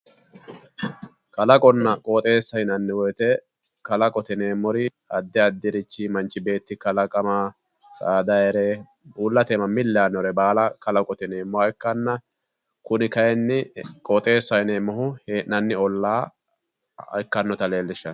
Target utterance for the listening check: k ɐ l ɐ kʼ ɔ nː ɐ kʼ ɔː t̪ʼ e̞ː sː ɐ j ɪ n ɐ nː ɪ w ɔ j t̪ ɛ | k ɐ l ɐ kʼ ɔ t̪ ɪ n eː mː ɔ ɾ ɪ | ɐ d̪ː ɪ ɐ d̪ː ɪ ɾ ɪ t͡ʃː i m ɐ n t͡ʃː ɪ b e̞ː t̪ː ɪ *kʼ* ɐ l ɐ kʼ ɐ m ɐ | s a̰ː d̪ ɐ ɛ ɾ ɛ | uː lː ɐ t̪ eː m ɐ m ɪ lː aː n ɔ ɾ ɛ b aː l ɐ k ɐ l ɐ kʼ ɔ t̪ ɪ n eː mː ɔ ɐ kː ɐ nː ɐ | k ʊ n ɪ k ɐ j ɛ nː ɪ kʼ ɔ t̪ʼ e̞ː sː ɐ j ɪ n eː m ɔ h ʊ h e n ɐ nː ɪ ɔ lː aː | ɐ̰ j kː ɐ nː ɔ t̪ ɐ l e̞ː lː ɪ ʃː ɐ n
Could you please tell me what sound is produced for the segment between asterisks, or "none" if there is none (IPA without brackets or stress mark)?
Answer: k